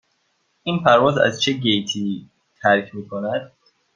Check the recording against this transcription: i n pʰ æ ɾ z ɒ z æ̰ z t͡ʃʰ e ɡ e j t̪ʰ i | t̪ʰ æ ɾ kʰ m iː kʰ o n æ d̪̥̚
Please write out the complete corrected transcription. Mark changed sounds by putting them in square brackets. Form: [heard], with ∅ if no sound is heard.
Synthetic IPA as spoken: i n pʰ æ ɾ [v] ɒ z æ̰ z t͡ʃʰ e ɡ e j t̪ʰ i | t̪ʰ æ ɾ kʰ m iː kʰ o n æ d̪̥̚